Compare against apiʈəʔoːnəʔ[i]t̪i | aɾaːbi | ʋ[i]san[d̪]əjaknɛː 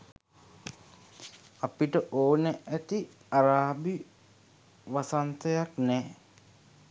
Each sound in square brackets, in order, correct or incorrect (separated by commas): incorrect, incorrect, incorrect